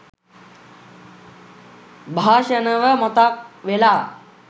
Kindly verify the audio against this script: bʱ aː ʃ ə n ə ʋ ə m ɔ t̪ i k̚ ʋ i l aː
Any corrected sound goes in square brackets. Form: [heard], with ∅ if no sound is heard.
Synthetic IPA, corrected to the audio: bʱ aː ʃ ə n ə ʋ ə m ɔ t̪ [a] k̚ ʋ [e] l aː